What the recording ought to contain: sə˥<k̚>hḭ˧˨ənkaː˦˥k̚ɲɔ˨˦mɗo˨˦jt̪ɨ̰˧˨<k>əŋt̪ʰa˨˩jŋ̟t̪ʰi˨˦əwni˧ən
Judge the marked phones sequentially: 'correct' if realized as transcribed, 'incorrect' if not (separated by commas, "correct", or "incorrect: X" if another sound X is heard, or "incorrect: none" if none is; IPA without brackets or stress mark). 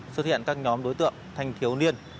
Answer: incorrect: t̚, incorrect: none